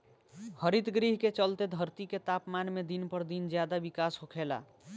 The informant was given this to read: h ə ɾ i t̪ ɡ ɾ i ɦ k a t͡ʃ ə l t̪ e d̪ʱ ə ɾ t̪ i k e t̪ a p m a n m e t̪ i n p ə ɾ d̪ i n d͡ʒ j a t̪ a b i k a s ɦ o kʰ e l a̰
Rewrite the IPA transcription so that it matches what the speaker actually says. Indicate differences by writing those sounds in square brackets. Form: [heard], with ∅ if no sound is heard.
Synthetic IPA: h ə ɾ i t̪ ɡ ɾ i ɦ k [e] t͡ʃ ə l t̪ e d̪ʱ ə ɾ t̪ i k e t̪ a p m a n m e [d̪] i n p ə ɾ d̪ i n d͡ʒ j a [d̪] a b i k a s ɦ o kʰ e l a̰